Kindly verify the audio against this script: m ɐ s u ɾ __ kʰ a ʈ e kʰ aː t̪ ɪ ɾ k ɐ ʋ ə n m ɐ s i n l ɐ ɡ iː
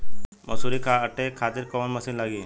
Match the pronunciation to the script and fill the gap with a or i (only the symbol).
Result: i